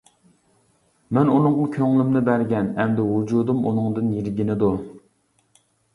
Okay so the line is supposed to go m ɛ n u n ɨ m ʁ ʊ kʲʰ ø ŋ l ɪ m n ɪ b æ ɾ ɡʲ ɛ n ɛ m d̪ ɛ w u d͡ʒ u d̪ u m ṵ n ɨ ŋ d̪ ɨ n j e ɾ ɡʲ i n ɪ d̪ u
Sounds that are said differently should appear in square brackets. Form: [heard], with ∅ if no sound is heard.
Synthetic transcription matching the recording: m ɛ n u n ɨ [ŋ] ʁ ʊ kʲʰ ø ŋ l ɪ m n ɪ b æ ɾ ɡʲ ɛ n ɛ m d̪ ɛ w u d͡ʒ u d̪ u m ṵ n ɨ ŋ d̪ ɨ n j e ɾ ɡʲ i n ɪ d̪ u